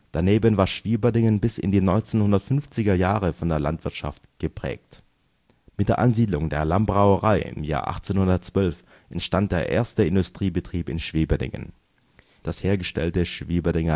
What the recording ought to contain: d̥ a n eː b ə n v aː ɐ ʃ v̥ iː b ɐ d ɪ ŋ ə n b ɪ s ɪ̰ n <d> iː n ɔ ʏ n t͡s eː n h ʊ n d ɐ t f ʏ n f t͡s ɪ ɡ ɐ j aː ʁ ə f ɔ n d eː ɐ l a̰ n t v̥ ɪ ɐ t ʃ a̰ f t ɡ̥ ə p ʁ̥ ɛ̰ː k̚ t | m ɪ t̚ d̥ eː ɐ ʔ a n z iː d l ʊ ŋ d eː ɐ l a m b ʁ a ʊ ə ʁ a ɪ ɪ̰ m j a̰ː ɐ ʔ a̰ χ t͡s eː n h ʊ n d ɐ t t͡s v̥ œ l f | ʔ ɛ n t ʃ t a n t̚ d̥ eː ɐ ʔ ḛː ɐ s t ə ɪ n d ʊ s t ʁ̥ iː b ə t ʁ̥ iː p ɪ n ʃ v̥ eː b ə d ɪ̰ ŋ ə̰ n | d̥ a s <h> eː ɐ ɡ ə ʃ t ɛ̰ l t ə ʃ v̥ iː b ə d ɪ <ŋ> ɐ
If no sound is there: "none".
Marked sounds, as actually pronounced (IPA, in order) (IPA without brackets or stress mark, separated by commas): d, h, ŋ